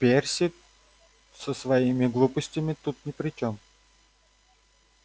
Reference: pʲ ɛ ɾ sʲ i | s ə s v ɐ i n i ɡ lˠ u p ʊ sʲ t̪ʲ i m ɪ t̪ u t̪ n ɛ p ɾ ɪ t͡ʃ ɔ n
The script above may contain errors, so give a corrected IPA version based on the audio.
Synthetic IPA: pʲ ɛ ɾ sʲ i | s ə s v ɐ i m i ɡ lˠ u p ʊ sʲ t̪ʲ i m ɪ t̪ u t̪ n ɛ p ɾ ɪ t͡ʃ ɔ m